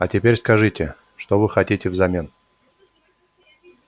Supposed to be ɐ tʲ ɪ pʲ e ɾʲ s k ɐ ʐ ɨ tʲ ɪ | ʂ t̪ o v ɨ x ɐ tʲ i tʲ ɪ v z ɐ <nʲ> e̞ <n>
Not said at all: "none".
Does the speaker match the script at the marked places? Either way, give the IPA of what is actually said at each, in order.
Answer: mʲ, n

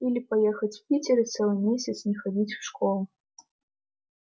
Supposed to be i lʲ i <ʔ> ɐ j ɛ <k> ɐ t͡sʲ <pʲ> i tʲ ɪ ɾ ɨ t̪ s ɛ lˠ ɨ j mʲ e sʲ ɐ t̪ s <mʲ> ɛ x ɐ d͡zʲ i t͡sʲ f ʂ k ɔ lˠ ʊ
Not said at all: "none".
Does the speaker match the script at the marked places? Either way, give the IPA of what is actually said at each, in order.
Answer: p, x, pʲ, nʲ

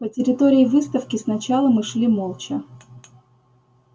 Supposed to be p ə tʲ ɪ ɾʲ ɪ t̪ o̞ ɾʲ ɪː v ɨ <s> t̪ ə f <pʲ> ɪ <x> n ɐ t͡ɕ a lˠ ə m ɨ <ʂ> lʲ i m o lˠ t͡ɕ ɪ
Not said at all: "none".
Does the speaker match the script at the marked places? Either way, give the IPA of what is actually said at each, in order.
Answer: s, kʲ, s, ʂ

